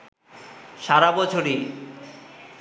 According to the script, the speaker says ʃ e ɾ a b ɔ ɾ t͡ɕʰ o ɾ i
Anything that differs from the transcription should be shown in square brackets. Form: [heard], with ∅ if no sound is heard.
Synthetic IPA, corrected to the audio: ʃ [a] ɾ a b ɔ [∅] t͡ɕʰ o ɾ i